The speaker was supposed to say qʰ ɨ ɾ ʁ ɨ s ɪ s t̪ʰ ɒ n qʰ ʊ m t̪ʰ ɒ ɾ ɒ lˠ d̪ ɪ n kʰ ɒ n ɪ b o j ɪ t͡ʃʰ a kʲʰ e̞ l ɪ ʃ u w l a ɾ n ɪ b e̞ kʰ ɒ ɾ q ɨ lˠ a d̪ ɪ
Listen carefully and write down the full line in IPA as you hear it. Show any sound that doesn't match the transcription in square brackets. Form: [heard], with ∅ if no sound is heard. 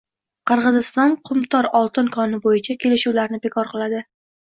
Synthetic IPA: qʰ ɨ ɾ ʁ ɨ [z] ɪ s [t̪] ɒ n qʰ ʊ m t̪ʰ ɒ ɾ ɒ lˠ [t̪] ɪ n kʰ ɒ n ɪ b o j ɪ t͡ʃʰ a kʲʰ e̞ l ɪ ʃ u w l a ɾ n ɪ b e̞ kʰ ɒ ɾ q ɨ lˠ a d̪ ɪ

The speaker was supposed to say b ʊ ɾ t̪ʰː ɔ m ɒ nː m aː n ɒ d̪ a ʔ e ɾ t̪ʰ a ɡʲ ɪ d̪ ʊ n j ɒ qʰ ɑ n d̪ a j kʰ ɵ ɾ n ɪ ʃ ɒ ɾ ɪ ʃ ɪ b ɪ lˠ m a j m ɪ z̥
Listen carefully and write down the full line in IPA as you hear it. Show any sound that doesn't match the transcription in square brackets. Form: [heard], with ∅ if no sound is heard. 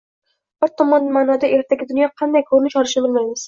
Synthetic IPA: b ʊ ɾ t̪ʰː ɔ m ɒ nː m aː n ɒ d̪ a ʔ e ɾ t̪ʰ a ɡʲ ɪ d̪ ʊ n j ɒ qʰ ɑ n d̪ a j kʰ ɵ ɾ n ɪ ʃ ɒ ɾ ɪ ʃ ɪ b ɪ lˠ m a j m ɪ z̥

